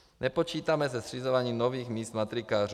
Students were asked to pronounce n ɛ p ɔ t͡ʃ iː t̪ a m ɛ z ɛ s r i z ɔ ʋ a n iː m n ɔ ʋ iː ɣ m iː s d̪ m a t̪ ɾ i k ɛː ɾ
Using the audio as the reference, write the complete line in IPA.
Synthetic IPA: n ɛ p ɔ t͡ʃ iː t̪ a m ɛ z ɛ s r i z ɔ ʋ a ɲ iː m n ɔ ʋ iː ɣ m iː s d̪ m a t̪ ɾ i k aː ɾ